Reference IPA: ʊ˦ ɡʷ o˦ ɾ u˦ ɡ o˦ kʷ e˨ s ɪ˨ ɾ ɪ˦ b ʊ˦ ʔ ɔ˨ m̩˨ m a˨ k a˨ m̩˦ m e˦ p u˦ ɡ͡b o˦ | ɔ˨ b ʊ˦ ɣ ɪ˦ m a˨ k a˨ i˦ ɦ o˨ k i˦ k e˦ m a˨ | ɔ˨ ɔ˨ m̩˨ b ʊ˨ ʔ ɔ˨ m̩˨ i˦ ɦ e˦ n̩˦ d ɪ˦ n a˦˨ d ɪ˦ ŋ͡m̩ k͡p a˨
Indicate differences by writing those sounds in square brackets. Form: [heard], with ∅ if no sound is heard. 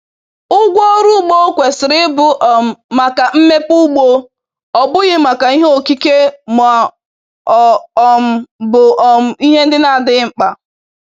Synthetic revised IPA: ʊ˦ ɡʷ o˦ ɾ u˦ [ɡ͡b] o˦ kʷ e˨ s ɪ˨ ɾ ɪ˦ b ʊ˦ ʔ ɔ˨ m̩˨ m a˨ k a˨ m̩˦ m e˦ p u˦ ɡ͡b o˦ | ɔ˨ b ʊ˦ ɣ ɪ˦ m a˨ k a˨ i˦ ɦ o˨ k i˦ k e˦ m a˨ | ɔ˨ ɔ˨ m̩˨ b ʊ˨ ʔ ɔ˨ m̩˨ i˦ ɦ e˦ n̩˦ d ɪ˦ n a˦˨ d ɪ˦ ŋ͡m̩ k͡p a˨